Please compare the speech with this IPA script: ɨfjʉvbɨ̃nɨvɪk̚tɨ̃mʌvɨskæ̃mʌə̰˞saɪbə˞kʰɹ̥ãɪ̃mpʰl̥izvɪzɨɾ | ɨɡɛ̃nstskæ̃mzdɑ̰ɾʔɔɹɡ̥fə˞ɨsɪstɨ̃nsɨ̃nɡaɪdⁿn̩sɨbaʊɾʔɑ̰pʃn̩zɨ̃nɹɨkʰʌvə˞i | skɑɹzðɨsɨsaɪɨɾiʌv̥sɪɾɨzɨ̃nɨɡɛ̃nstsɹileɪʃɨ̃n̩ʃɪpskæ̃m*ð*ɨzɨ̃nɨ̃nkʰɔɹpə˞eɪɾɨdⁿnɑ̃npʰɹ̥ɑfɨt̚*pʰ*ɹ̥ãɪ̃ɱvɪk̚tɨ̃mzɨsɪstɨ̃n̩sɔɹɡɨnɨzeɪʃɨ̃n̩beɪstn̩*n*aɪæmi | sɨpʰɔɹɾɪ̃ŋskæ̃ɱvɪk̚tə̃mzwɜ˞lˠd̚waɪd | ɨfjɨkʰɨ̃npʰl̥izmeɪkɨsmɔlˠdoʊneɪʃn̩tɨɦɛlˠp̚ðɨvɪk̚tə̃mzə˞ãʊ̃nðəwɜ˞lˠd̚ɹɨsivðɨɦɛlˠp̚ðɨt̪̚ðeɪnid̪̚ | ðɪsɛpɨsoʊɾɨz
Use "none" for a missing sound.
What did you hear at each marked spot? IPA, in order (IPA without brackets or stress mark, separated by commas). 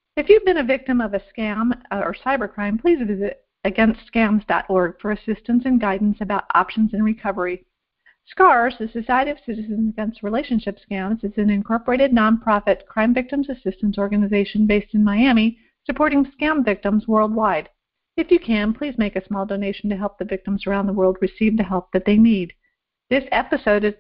z, kʰ, m